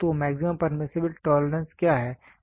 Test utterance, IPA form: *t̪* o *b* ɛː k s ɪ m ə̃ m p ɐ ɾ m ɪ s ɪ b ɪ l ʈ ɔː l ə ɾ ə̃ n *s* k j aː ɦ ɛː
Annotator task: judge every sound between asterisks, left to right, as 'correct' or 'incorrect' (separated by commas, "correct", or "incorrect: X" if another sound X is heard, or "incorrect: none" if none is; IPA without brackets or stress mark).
correct, incorrect: m, correct